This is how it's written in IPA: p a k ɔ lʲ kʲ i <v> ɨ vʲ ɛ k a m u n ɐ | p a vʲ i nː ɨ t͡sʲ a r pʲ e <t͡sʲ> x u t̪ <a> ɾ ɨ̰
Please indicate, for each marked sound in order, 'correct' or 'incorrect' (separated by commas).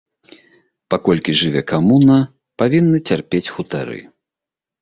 incorrect, correct, correct